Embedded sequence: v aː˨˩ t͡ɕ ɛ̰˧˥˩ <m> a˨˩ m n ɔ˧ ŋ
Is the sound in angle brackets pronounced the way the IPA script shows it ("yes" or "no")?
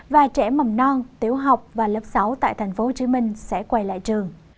yes